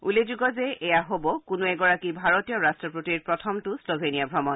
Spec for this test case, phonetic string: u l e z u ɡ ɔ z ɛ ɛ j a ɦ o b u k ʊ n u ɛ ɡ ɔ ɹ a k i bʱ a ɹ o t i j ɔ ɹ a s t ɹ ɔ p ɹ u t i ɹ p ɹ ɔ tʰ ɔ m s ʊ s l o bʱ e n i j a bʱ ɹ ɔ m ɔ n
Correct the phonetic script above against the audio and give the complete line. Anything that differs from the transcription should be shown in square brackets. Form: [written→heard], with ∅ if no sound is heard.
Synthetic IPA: u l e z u ɡ ɔ z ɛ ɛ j a ɦ o b [u→ɔ] k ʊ n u ɛ ɡ ɔ ɹ a k i bʱ a ɹ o t i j ɔ ɹ a s t ɹ ɔ p ɹ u t i ɹ p ɹ ɔ tʰ ɔ m [s→t] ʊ s l o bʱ e n i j a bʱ ɹ ɔ m ɔ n